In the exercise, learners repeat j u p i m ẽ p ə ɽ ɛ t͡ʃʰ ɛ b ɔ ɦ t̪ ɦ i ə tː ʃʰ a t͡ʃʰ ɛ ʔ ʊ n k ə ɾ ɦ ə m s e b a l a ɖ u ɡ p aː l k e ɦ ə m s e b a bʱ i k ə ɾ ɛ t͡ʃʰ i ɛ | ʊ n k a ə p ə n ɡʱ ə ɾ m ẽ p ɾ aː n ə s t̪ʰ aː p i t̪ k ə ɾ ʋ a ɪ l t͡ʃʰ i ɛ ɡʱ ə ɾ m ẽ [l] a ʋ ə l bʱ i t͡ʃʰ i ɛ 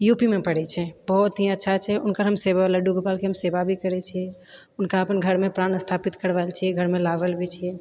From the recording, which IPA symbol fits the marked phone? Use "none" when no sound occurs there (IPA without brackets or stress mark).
l